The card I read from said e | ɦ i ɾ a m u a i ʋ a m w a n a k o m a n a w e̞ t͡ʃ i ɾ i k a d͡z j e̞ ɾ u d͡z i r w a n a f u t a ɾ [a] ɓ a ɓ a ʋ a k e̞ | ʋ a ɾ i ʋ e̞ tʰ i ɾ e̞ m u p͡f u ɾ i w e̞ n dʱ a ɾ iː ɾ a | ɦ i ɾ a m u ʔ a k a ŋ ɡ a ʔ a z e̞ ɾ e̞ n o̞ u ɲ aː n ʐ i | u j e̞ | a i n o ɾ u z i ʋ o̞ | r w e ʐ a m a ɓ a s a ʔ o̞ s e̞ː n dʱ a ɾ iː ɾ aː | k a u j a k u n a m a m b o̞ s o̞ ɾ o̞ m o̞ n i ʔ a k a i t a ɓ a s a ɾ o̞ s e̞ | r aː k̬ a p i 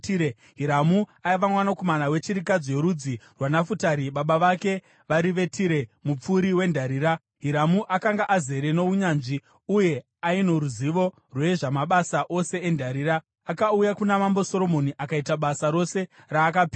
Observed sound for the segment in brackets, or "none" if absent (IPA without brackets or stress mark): i